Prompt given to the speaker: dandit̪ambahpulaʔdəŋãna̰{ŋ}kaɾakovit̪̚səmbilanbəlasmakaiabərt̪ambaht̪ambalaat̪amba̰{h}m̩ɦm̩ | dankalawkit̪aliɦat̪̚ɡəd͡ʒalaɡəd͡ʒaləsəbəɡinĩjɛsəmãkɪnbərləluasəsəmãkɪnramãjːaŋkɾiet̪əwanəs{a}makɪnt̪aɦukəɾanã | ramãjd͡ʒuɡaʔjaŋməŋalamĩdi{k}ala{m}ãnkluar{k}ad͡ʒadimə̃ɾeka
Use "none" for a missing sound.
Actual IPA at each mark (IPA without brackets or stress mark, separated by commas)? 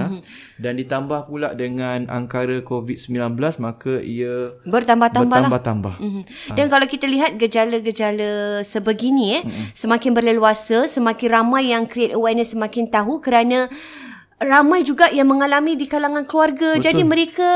ŋ, h, ə, k, ŋ, ɡ